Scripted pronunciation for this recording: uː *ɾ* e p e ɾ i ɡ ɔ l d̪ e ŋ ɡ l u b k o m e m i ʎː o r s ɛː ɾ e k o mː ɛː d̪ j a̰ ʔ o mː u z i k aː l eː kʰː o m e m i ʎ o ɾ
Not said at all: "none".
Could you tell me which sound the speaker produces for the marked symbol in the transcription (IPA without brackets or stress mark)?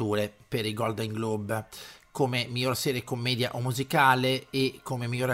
ɾ